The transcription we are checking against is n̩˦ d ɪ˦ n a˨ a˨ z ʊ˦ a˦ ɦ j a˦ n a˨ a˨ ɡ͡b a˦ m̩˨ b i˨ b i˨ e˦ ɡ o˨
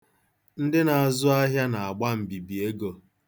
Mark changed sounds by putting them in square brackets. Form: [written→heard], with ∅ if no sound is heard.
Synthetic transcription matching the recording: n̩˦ d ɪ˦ n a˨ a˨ z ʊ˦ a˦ ɦ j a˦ n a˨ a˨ ɡ͡b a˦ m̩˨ b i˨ b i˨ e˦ ɡ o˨